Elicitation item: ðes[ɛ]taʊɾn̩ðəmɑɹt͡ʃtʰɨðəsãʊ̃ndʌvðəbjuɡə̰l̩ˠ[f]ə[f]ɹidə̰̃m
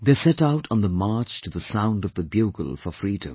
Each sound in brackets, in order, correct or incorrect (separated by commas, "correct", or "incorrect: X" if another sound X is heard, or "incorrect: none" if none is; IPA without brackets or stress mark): correct, correct, correct